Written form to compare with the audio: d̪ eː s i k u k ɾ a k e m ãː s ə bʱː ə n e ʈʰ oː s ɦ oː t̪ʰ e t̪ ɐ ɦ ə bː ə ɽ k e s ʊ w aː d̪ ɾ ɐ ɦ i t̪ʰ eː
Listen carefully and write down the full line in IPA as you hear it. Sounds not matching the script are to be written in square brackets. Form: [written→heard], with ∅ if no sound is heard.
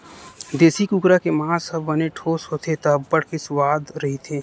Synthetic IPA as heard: d̪ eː s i k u k ɾ a k e m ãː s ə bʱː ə n e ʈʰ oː s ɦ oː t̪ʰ e t̪ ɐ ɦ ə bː ə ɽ k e s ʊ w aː d̪ ɾ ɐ ɦ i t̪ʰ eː